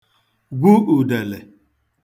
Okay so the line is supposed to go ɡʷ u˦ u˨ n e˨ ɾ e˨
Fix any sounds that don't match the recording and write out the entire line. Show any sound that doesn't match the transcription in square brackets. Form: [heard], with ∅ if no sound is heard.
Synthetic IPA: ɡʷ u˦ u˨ [d] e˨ [l] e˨